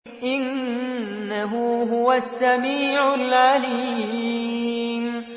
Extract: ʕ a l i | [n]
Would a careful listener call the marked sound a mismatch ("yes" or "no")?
yes